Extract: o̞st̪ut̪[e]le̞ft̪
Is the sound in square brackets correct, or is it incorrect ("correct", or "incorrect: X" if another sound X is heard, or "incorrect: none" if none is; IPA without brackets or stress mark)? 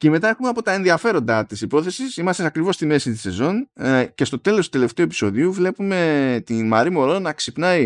correct